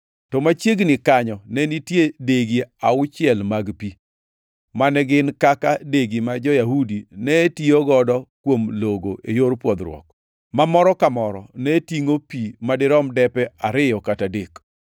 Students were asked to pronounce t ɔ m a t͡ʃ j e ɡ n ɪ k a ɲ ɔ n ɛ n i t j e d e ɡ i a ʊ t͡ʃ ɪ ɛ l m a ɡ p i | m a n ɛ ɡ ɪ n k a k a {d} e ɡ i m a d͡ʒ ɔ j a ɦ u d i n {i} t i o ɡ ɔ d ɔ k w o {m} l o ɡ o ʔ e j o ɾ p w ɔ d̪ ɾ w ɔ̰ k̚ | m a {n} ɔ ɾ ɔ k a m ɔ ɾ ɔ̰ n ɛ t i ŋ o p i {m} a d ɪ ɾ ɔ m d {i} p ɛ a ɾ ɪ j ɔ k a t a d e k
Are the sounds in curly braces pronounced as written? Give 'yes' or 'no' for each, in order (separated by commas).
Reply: yes, no, yes, no, yes, no